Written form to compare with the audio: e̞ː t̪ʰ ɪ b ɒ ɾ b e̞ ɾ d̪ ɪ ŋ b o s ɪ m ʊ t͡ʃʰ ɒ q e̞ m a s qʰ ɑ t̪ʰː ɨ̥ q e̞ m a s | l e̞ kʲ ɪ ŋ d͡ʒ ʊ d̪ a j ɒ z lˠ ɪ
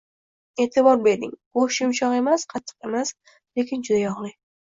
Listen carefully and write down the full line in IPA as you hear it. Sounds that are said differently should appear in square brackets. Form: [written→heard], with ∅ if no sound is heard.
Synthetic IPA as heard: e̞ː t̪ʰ ɪ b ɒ ɾ b e̞ ɾ d̪ ɪ ŋ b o [s→ʃ] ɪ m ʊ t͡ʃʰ ɒ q e̞ m a s qʰ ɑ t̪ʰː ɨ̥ q e̞ m a s | l e̞ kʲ ɪ [ŋ→n] d͡ʒ ʊ d̪ a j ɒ [z→ʁ] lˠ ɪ